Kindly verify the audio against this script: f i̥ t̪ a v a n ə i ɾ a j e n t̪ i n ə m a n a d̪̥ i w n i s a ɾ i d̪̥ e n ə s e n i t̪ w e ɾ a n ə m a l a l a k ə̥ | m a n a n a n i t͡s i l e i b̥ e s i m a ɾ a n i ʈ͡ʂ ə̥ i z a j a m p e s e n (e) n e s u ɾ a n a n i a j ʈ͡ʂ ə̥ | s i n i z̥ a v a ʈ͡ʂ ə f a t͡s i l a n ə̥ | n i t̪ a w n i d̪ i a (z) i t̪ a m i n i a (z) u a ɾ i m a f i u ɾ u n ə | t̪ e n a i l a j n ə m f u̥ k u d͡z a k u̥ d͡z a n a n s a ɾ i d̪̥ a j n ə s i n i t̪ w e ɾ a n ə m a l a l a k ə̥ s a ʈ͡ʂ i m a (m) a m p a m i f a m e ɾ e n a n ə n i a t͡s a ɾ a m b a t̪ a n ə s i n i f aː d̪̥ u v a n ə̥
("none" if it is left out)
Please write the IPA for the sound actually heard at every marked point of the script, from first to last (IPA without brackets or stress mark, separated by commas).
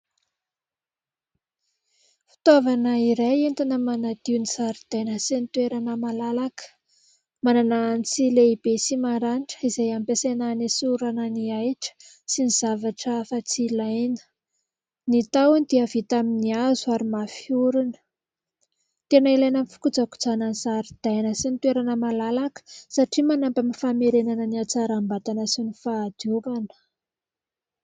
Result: a, v, z, n